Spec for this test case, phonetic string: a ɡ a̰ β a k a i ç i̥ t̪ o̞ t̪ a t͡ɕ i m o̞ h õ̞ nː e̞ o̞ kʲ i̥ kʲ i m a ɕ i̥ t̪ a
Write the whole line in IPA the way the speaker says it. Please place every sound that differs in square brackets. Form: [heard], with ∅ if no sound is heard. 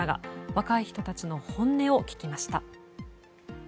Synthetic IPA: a ɡ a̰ β a k a i ç i̥ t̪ o̞ t̪ a t͡ɕ i [n] o̞ h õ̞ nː e̞ o̞ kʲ i̥ kʲ i m a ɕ i̥ t̪ a